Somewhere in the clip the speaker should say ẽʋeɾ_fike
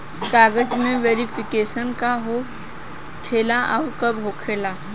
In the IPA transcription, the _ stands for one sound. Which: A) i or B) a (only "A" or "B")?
A